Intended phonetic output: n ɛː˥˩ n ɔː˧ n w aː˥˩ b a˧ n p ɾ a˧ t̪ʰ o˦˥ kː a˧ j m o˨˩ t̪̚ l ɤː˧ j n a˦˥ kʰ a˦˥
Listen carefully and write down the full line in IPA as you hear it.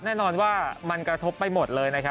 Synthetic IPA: n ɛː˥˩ n ɔː˧ n w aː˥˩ m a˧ n k ɾ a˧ t̪ʰ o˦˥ pː a˧ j m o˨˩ t̪̚ l ɤː˧ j n a˦˥ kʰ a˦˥